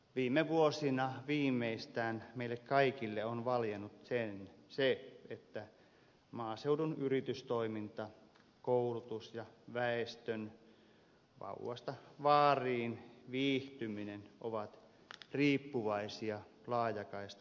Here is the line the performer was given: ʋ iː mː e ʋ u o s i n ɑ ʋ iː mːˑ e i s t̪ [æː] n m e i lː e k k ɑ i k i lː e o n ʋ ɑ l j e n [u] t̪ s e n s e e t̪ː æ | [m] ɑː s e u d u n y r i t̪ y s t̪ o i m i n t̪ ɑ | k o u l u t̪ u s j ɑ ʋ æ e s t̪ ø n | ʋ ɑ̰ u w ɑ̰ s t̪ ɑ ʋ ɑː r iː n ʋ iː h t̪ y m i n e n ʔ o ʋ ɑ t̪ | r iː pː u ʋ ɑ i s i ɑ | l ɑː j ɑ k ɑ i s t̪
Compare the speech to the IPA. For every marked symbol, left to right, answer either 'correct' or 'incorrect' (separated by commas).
correct, correct, correct